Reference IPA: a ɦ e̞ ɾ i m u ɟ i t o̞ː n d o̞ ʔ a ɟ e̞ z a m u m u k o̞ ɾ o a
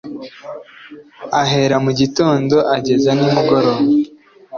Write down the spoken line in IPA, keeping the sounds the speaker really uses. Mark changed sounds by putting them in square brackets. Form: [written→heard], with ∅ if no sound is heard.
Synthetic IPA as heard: a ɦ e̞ ɾ [i→a] m u ɟ i t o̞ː n d o̞ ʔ a ɟ e̞ z a [m→n] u m u [k→ɡ] o̞ ɾ o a